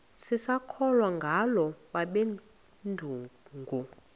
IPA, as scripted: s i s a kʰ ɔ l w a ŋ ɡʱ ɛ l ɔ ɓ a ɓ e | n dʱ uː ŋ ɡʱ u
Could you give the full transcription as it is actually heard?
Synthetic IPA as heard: s i s a kʰ ɔ l w a ŋ ɡʱ a l ɔ ɓ a ɓ e | n dʱ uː ŋ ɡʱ u